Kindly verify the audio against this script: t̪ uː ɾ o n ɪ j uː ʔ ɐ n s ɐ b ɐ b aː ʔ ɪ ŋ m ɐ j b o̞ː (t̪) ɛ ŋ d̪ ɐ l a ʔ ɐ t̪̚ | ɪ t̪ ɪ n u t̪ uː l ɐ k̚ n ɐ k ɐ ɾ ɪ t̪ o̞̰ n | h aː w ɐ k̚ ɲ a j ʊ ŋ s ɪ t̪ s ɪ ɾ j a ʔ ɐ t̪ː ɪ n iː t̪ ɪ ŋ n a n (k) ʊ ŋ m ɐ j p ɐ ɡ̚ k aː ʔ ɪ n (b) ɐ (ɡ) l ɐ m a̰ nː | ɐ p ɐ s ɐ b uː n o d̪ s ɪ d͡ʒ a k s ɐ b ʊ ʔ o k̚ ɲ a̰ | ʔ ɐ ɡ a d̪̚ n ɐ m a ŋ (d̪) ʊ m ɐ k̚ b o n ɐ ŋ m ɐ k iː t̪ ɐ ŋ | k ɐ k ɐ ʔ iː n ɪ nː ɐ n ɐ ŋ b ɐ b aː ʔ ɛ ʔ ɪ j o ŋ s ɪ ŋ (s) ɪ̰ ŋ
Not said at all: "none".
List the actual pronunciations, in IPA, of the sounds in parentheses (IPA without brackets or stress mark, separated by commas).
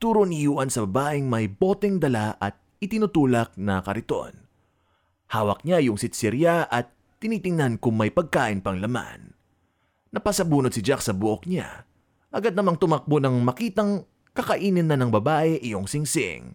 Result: t̪, k, p, ŋ, t̪, s